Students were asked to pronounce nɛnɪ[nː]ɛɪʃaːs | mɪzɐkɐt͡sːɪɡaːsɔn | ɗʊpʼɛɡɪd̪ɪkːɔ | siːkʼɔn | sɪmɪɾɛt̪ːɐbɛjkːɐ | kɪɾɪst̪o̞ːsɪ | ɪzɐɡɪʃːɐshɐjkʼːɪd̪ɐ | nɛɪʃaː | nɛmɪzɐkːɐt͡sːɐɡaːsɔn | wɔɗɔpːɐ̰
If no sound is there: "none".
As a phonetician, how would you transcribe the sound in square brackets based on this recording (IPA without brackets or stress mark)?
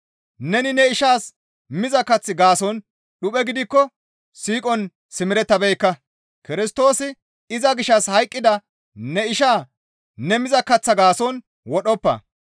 n